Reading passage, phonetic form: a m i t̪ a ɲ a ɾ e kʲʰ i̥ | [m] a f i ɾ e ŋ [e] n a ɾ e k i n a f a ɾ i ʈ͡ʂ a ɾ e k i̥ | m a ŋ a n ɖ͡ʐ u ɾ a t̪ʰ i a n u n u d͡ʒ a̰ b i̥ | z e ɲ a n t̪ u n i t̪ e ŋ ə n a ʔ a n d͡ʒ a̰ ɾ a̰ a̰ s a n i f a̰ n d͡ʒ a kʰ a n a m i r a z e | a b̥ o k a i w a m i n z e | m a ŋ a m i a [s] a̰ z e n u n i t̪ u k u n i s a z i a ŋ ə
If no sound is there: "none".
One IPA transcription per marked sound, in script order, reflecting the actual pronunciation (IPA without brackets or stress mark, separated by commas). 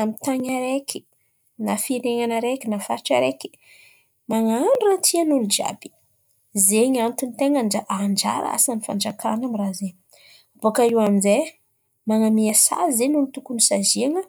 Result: n, a, s